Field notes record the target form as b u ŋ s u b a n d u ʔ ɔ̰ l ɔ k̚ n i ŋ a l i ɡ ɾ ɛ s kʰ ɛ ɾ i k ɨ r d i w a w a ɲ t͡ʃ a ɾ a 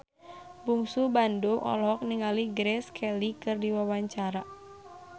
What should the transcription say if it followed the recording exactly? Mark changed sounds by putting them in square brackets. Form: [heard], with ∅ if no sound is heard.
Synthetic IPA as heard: b u ŋ s u b a n d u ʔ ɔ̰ l ɔ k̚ n i ŋ a l i ɡ ɾ ɛ s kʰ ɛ [l] i k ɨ r d i w a w a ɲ t͡ʃ a ɾ a